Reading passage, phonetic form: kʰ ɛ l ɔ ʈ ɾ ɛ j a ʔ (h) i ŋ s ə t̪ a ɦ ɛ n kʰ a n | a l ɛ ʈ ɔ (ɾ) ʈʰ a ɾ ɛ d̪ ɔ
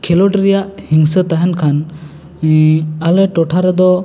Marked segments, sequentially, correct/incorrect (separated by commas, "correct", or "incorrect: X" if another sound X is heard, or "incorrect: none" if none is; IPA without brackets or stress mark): correct, incorrect: none